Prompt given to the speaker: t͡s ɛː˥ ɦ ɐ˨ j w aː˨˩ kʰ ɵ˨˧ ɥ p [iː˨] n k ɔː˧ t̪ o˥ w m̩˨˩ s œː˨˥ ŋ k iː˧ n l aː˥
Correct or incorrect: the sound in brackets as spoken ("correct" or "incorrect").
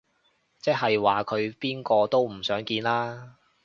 incorrect